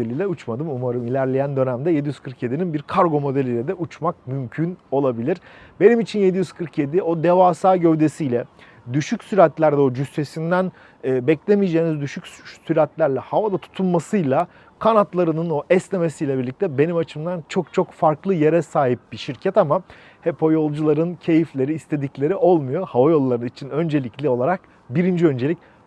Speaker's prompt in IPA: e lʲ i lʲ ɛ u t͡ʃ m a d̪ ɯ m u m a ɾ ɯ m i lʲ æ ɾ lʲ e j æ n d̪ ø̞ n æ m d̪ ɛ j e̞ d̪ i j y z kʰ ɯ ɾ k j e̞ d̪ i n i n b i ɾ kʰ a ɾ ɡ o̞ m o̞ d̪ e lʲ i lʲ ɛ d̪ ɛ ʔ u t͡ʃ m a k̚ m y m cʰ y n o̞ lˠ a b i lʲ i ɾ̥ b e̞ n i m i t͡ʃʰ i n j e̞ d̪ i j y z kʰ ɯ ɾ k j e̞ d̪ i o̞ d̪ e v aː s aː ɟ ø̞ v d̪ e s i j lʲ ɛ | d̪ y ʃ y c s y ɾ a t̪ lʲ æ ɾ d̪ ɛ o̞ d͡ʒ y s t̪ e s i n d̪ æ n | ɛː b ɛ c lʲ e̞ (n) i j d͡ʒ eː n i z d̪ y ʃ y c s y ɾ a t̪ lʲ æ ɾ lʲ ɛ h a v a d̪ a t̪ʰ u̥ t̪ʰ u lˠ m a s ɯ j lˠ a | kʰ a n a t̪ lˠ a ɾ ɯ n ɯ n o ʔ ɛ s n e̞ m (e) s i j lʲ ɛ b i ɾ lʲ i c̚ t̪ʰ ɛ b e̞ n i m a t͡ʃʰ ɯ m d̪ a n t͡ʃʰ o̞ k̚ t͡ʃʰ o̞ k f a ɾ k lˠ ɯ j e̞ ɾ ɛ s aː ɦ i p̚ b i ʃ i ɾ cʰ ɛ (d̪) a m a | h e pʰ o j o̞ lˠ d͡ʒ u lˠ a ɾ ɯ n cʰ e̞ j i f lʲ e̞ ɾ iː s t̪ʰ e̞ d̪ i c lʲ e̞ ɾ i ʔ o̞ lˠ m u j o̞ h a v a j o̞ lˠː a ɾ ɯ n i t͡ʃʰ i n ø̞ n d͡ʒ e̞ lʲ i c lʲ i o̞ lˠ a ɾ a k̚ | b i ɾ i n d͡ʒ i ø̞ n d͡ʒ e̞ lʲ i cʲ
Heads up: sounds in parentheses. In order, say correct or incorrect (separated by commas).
incorrect, correct, incorrect